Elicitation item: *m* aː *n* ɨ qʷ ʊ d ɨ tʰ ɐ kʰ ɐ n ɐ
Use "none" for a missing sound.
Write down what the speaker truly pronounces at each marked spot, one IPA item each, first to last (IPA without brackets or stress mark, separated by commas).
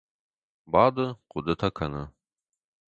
b, d